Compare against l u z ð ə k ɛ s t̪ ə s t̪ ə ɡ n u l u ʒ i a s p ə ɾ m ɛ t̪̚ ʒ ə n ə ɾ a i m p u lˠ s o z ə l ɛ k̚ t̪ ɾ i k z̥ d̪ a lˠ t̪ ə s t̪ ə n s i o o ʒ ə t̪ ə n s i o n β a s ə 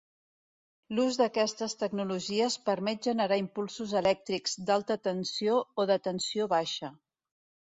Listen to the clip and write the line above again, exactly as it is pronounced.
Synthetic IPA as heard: l u z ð ə k ɛ s t̪ ə s t̪ ə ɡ n u l u ʒ i ə s p ə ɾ m ɛ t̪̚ ʒ ə n ə ɾ a i m p u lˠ s u z ə l ɛ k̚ t̪ ɾ i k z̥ d̪ a lˠ t̪ ə t̪ ə n s i o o ð ə t̪ ə n s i o β a ʃ ə

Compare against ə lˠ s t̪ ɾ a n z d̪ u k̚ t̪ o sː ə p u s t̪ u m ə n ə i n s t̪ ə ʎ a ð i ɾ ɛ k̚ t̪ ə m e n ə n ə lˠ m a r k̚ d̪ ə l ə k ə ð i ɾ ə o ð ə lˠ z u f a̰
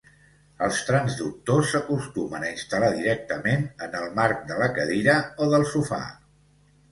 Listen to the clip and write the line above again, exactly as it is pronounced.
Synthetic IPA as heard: ə lˠ s t̪ ɾ a n z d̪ u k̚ t̪ o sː ə k u s t̪ u m ə n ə i n s t̪ ə l a ð i ɾ ɛ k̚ t̪ ə m e n ə n ə lˠ m a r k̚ d̪ ə l ə k ə ð i ɾ ə o ð ə lˠ s u f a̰

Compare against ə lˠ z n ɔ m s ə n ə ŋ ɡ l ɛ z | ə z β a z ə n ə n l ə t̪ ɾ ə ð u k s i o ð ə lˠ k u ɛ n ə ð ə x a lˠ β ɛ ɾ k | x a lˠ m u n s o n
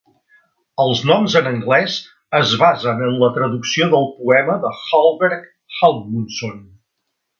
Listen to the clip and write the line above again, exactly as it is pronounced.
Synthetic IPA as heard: ə lˠ z n ɔ m z ə n ə ŋ ɡ l ɛ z | ə z β a z ə n ə n l ə t̪ ɾ ə ð u k s i o ð ə lˠ p u ɛ m ə ð ə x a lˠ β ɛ ɾ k | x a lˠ m u n s o n

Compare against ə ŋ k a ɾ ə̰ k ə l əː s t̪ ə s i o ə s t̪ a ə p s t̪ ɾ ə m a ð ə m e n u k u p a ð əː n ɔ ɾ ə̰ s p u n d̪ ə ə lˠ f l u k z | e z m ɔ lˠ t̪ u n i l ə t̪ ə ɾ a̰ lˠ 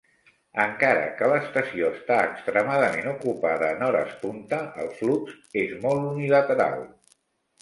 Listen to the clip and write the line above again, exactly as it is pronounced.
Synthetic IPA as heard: ə ŋ k a ɾ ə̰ k ə l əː s t̪ ə s i o ə s t̪ a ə k s t̪ ɾ ə m a ð ə m e n u k u p a ð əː n ɔ ɾ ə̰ s p u n t̪ ə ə lˠ f l u k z | e z m ɔ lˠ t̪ u n i l ə t̪ ə ɾ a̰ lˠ

